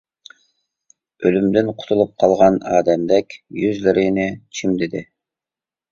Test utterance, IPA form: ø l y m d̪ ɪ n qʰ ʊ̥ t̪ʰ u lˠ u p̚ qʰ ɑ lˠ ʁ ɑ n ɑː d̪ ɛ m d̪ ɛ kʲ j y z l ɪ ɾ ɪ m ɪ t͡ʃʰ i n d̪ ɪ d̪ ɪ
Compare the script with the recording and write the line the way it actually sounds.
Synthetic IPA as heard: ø l y m d̪ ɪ n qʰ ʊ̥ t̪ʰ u lˠ u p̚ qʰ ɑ lˠ ʁ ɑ n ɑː d̪ ɛ m d̪ ɛ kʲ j y z l ɪ ɾ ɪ n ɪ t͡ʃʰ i m d̪ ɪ d̪ ɪ

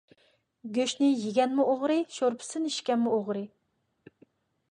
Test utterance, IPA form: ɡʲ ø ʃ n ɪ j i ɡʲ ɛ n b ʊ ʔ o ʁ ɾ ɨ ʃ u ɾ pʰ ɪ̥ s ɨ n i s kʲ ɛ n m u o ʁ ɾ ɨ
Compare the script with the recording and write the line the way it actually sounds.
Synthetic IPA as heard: ɡʲ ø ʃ n ɪ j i ɡʲ ɛ n m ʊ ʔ o ʁ ɾ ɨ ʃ o ɾ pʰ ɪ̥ s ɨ n i ʃ kʲ ɛ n m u o ʁ ɾ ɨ

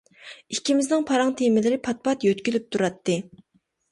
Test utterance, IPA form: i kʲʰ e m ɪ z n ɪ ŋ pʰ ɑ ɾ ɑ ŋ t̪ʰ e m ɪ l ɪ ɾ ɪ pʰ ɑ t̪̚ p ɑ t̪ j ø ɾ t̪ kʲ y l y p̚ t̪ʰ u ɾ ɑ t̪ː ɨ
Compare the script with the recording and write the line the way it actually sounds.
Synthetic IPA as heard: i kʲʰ i m ɪ z n ɪ ŋ pʰ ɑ ɾ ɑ ŋ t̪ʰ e m ɪ l ɪ ɾ ɪ pʰ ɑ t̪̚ p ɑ t̪ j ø t̪ kʲ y l y p̚ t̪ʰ u ɾ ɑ t̪ː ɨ

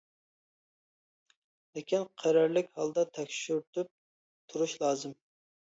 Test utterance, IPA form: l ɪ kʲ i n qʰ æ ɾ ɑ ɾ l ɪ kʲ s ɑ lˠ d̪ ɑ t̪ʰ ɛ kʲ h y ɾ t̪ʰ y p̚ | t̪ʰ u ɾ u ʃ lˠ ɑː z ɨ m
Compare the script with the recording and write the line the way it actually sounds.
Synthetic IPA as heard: l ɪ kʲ i n qʰ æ ɾ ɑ ɾ l ɪ kʲ h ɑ lˠ d̪ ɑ t̪ʰ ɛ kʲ ʃ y ɾ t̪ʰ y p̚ | t̪ʰ u ɾ u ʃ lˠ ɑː z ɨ m

